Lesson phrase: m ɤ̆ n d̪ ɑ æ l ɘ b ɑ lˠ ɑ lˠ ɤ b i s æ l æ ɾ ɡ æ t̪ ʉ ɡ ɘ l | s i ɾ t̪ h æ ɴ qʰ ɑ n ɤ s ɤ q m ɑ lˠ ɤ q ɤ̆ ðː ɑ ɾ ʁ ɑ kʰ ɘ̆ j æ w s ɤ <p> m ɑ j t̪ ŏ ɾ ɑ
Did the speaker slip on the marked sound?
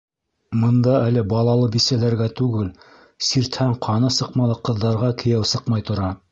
yes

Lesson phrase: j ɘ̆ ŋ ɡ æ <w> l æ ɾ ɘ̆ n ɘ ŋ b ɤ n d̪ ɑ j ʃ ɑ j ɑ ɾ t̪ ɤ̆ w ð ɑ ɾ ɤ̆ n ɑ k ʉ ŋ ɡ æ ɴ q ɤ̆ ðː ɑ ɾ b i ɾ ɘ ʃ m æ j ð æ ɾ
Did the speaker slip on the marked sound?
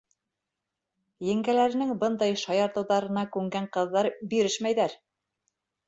yes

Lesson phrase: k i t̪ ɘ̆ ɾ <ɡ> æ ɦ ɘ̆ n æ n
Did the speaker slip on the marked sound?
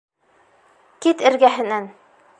no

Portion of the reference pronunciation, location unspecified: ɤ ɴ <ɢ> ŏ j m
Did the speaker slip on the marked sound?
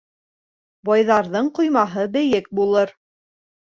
yes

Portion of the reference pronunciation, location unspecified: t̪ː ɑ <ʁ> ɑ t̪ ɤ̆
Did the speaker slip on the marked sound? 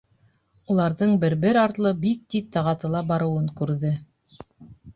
no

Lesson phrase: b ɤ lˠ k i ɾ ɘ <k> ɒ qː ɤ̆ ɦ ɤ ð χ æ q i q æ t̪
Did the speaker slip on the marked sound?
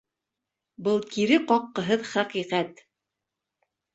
yes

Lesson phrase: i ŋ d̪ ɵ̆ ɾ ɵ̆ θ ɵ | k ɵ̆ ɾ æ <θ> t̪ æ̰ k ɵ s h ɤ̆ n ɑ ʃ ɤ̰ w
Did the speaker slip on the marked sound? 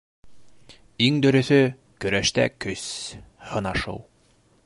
yes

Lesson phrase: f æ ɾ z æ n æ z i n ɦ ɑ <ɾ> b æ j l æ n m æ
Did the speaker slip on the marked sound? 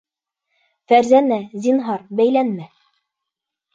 no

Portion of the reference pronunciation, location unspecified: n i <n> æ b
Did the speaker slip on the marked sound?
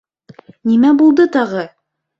yes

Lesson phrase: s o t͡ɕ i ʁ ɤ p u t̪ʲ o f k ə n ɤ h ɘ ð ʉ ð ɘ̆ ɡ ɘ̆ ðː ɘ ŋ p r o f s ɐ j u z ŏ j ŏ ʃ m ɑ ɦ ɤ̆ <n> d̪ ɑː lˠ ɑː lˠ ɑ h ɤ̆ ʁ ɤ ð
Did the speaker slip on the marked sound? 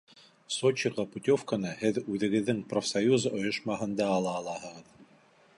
no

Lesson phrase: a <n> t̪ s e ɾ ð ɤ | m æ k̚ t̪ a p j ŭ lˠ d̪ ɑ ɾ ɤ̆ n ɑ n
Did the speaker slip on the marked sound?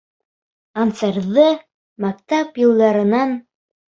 no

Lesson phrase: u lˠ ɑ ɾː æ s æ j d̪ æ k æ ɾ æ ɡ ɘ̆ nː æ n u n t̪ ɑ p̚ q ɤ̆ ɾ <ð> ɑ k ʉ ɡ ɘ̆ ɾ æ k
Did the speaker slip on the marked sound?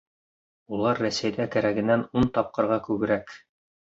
yes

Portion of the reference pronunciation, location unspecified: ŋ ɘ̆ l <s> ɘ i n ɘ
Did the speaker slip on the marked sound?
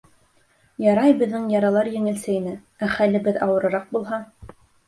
no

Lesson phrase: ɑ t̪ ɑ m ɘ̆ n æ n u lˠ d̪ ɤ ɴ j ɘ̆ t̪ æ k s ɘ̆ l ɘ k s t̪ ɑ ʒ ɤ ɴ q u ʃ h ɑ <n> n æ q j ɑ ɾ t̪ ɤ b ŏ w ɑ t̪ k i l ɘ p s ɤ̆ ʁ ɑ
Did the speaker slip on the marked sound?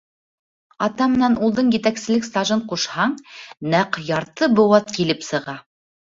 yes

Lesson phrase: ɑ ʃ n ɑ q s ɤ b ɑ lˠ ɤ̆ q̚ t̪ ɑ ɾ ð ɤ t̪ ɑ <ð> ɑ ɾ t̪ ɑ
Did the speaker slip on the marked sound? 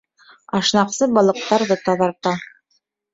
no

